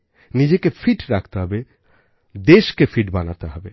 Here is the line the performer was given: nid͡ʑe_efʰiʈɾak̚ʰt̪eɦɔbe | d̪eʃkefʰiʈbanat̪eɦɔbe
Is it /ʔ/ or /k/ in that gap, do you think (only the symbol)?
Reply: k